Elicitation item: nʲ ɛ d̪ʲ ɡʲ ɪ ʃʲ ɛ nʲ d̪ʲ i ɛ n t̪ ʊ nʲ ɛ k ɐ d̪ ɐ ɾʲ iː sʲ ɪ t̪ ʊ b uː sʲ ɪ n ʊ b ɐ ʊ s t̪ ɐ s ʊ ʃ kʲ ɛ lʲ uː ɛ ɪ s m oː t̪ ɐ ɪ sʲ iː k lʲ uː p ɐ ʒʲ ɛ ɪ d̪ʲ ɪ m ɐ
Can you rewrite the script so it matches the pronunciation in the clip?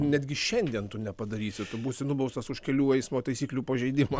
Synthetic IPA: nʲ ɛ d̪ʲ ɡʲ ɪ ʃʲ ɛ nʲ d̪ʲ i ɛ n t̪ ʊ nʲ ɛ p ɐ d̪ ɐ ɾʲ iː sʲ ɪ t̪ ʊ b uː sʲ ɪ n ʊ b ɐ ʊ s t̪ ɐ s ʊ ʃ kʲ ɛ lʲ uː ɛ ɪ s m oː t̪ ɐ ɪ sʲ iː k lʲ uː p ɐ ʒʲ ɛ ɪ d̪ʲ ɪ m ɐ

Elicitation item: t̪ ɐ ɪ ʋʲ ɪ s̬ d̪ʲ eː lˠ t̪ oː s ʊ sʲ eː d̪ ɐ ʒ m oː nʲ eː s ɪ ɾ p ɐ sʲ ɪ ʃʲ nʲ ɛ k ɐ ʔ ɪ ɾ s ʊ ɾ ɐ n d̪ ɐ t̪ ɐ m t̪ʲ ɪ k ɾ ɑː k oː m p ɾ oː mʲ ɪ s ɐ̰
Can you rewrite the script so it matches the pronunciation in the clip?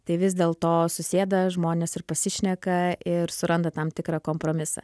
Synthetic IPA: t̪ ɐ ɪ ʋʲ ɪ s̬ d̪ʲ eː lˠ t̪ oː s ʊ sʲ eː d̪ ɐ ʒ m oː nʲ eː s ɪ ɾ p ɐ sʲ ɪ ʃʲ nʲ ɛ k ɐ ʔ ɪ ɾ s ʊ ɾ ɐ n d̪ ɐ t̪ ɐ m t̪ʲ ɪ k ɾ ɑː k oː m p ɾ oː mʲ ɪ s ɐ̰

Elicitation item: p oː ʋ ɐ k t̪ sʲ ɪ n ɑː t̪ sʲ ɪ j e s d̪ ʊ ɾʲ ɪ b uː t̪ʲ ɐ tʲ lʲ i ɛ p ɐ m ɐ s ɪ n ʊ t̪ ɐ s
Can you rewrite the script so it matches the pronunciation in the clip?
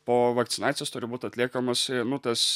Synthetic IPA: p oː ʋ ɐ k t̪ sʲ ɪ n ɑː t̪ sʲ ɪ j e s t̪ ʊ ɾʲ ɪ b uː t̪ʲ ɐ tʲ lʲ i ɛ k ɐ m ɐ s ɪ n ʊ t̪ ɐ s

